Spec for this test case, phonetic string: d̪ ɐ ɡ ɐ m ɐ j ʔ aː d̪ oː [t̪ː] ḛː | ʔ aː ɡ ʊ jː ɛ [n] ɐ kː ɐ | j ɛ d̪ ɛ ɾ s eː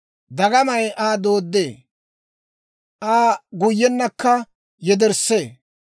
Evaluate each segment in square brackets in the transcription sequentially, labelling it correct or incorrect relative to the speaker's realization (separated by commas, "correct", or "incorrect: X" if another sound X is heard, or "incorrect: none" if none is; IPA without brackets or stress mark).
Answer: incorrect: d̪ː, incorrect: nː